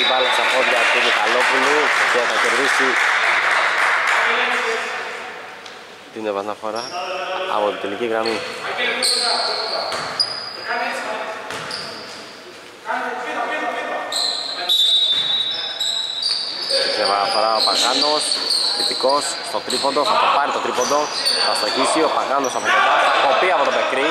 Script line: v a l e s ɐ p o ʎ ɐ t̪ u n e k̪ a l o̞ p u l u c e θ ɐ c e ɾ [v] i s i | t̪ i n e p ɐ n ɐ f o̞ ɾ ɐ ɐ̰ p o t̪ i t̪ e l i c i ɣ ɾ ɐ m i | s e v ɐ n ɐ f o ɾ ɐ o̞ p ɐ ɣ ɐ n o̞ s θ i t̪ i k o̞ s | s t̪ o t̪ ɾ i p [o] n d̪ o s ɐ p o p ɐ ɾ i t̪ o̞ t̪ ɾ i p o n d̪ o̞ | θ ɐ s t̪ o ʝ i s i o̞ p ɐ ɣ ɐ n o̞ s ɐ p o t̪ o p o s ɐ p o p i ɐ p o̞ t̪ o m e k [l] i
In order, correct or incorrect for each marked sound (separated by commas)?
incorrect, correct, incorrect